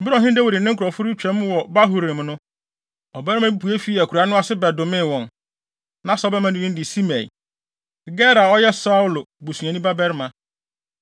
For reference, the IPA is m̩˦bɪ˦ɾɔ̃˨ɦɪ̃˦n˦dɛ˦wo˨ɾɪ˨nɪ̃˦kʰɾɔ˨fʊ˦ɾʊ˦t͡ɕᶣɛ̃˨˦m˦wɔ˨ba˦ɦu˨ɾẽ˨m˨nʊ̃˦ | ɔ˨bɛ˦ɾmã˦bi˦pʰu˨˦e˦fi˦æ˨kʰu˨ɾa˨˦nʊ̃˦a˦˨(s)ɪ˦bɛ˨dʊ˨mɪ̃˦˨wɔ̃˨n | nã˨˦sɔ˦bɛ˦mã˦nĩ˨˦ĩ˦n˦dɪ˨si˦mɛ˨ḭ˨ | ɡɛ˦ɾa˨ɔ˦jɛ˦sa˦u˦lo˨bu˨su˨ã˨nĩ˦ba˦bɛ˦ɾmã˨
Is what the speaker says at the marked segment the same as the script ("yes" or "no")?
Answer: yes